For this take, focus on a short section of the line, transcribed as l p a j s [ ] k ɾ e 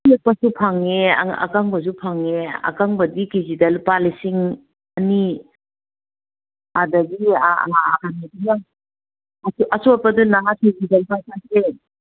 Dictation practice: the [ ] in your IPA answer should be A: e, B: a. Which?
B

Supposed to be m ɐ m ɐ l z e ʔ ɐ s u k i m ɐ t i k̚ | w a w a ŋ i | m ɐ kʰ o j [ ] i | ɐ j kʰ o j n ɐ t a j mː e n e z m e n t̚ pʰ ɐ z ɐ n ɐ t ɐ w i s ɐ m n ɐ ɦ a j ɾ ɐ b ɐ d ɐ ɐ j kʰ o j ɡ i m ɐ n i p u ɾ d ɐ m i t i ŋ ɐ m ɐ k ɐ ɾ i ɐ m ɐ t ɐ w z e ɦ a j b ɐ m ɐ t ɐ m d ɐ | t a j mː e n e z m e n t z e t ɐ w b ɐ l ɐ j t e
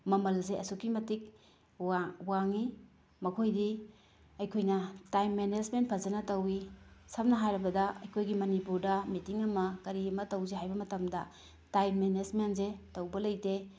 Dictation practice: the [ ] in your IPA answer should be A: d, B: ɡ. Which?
A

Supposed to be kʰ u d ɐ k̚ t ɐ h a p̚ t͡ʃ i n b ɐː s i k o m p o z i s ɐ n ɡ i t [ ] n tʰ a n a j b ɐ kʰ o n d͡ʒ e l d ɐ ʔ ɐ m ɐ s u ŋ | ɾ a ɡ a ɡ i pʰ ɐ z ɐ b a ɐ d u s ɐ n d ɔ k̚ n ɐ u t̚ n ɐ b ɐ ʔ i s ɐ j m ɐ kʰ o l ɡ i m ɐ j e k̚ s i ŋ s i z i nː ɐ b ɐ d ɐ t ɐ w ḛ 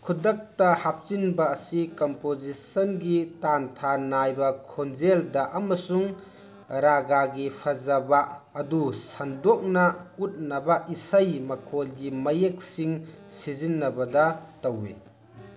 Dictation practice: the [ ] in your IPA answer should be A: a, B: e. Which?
A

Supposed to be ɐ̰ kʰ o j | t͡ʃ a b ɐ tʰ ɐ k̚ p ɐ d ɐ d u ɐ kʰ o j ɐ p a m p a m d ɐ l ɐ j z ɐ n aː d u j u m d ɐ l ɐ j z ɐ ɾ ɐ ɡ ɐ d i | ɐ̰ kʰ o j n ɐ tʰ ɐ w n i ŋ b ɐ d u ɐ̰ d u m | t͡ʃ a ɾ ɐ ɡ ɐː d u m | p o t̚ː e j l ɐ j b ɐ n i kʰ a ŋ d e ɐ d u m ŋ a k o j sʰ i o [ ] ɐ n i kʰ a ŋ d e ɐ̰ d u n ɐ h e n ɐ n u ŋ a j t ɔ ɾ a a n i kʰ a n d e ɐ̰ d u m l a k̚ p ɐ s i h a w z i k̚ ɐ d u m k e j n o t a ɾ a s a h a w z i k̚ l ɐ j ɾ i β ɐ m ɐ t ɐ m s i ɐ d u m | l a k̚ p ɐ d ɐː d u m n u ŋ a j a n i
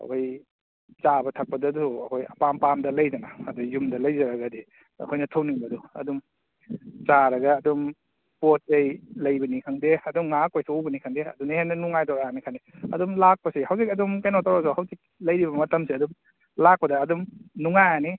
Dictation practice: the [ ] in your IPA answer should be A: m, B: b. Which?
B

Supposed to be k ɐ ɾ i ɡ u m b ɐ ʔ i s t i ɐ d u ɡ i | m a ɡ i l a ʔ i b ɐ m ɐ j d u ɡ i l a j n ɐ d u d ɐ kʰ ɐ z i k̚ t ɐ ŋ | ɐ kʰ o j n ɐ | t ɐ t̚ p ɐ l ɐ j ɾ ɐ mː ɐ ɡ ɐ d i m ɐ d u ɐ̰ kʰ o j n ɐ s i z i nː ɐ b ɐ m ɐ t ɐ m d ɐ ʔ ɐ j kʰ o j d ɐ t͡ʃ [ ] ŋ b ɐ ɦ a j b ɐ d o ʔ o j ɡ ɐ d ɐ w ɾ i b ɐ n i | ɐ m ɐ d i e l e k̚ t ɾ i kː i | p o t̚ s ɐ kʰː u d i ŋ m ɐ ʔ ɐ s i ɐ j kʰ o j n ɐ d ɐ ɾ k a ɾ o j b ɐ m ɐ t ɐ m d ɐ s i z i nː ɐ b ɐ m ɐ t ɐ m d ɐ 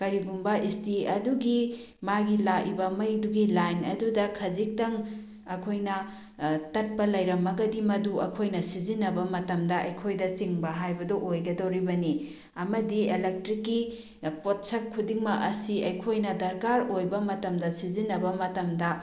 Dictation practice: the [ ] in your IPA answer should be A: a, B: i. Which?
B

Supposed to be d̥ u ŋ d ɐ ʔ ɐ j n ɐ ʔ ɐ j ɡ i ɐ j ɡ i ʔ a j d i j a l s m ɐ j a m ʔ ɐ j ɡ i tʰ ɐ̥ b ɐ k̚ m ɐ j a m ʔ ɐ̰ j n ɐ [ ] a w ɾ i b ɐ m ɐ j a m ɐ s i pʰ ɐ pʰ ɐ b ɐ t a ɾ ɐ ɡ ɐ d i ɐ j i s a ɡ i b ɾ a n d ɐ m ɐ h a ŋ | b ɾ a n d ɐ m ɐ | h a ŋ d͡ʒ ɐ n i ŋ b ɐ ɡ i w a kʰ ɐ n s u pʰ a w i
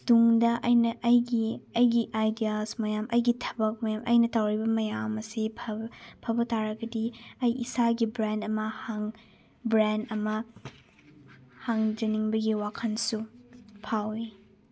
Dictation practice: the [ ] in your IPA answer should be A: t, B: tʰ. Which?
A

